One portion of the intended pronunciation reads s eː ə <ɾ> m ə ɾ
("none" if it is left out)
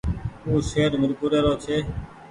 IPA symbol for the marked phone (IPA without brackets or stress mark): ɾ